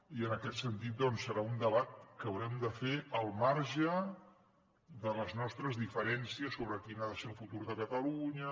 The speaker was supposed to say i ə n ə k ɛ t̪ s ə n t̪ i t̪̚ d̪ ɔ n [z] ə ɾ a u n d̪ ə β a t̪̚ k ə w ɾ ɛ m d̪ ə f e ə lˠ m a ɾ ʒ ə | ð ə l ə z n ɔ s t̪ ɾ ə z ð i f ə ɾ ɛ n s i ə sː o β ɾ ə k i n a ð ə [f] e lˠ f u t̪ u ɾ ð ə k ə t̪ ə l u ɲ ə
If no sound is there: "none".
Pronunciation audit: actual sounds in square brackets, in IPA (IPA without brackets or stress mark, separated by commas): s, s